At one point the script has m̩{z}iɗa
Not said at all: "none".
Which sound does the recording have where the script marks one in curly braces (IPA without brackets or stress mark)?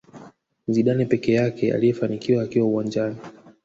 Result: z